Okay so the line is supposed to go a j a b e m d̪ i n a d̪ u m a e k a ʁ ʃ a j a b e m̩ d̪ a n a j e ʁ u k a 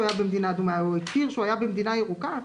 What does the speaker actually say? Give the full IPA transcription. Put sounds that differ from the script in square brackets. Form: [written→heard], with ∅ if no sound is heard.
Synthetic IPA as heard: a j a b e m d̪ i n a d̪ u m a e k [a→i] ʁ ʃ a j a b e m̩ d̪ [a→i] n a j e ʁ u k a